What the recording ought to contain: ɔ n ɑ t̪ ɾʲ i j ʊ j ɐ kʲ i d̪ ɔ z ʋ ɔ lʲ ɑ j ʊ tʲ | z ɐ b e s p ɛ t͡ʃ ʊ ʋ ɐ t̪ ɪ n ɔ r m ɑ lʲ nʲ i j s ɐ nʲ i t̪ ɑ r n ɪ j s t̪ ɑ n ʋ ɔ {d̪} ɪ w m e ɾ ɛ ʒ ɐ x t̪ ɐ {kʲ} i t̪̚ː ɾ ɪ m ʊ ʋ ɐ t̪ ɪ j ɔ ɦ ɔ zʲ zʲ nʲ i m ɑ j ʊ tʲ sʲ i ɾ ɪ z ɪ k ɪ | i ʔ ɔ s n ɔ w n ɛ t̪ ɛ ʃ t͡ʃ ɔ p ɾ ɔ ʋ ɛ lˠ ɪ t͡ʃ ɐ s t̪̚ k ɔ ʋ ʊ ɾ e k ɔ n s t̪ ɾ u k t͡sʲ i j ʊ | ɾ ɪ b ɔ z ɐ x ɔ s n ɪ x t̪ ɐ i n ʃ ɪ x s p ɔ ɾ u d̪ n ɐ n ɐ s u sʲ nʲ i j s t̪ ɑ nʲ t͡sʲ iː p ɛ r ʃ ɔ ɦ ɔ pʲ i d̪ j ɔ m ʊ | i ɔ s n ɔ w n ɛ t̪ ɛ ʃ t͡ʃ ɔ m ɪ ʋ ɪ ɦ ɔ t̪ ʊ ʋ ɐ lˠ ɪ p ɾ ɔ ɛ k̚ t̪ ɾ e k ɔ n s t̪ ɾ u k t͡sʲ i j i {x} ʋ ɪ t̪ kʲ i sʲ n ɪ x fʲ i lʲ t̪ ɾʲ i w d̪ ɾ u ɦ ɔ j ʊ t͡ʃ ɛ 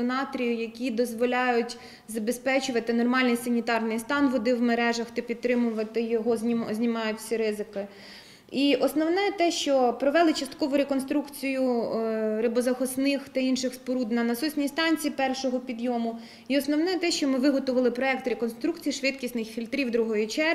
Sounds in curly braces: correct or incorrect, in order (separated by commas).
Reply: correct, incorrect, incorrect